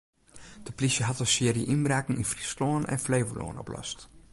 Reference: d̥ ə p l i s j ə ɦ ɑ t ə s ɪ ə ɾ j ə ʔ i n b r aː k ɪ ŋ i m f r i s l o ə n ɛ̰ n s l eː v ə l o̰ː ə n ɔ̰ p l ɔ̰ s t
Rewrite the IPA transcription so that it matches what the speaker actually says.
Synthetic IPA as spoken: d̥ ə p l i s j ə ɦ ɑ t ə s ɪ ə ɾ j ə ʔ i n b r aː k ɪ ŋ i n f r i s l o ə n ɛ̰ n f l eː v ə l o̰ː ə n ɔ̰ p l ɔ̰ s t